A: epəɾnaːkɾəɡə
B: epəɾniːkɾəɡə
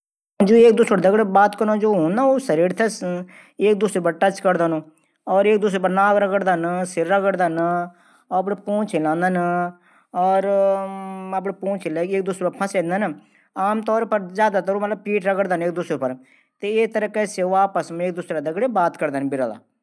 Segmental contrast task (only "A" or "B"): A